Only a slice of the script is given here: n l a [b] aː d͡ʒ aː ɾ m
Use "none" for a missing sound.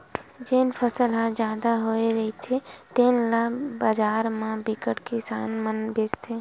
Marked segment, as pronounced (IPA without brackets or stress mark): b